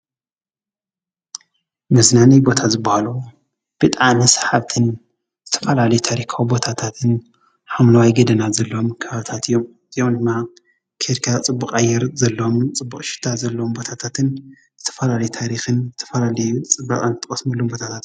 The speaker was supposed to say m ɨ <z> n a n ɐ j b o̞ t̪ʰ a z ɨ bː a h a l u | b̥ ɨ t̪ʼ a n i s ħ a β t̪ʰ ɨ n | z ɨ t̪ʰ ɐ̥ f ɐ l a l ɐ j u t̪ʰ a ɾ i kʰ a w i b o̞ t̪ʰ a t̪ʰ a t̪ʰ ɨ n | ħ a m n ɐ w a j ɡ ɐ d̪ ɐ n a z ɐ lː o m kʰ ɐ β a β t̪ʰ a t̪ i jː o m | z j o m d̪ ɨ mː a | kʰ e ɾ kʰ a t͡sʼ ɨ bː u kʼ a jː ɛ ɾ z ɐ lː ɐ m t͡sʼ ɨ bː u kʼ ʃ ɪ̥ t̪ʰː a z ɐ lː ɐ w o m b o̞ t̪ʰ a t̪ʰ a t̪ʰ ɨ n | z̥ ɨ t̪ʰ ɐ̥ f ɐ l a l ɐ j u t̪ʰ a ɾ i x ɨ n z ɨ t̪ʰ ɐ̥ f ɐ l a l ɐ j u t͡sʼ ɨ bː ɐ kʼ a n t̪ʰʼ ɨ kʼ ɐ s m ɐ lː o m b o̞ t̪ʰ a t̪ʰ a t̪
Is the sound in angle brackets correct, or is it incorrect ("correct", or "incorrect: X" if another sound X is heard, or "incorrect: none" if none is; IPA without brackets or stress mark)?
correct